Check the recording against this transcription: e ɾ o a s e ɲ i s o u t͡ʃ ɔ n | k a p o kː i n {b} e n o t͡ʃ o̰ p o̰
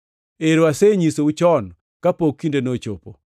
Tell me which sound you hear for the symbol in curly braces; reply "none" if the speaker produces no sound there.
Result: d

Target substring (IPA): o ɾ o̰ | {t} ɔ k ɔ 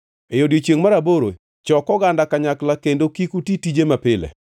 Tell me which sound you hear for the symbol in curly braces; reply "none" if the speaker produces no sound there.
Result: t͡ʃ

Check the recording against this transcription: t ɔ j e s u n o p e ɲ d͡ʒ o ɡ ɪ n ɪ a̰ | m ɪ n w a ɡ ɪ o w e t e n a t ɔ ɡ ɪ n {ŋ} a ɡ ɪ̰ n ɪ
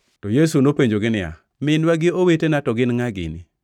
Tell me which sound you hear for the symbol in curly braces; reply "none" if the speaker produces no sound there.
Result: ŋ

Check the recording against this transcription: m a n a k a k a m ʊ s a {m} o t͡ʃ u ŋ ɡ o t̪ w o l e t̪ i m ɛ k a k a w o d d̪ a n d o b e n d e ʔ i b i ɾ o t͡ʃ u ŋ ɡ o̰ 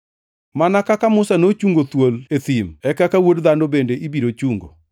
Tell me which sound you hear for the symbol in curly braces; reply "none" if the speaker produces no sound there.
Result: n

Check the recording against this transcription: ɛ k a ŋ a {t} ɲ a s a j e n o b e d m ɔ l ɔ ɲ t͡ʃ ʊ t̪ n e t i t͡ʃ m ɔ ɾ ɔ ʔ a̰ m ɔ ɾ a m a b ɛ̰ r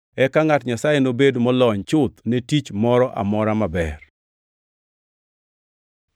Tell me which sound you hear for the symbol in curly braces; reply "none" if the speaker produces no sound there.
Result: t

